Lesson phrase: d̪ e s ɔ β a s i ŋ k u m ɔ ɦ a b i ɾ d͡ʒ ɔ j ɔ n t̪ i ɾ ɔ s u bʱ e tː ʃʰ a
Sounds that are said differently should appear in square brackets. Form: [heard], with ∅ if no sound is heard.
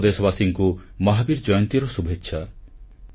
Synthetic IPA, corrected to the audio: d̪ e s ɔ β a s i ŋ k u m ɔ ɦ a b i ɾ d͡ʒ ɔ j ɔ n t̪ i ɾ ɔ s u bʱ e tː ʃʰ a